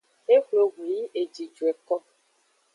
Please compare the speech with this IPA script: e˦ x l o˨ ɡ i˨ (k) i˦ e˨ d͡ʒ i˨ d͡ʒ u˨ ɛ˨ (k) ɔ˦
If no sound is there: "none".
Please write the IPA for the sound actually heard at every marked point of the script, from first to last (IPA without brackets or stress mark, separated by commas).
none, k